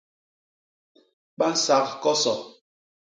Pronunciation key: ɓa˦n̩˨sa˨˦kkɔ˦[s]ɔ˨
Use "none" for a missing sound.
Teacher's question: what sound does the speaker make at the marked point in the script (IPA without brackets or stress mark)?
s